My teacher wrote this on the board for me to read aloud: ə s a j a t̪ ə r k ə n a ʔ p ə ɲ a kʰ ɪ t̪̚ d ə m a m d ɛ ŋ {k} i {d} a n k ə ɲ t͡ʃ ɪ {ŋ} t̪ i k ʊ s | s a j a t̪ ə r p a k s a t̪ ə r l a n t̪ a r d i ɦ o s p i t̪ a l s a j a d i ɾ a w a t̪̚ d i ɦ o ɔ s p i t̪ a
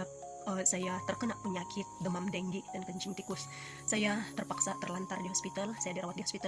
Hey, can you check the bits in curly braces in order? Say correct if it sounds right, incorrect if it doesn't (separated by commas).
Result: incorrect, correct, correct